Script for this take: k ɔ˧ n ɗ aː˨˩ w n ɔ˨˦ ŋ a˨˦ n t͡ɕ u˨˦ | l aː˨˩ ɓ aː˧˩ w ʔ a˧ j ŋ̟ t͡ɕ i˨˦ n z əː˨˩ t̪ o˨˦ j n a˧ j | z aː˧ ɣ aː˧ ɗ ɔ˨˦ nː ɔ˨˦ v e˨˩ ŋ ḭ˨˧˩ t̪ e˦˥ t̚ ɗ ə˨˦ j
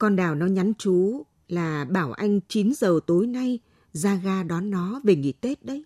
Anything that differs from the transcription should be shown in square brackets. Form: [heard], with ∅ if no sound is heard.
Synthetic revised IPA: k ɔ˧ n ɗ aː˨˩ w n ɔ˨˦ [ɲ] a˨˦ n t͡ɕ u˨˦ | l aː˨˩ ɓ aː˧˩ w ʔ a˧ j ŋ̟ t͡ɕ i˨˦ n z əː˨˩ t̪ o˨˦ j n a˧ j | z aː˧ ɣ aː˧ ɗ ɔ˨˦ nː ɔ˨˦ v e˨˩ ŋ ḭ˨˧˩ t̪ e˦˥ t̚ ɗ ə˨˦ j